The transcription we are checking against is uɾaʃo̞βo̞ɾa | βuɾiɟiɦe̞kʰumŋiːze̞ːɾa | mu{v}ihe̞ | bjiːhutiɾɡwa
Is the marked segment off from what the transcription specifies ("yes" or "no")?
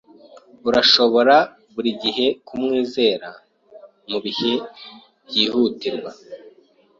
yes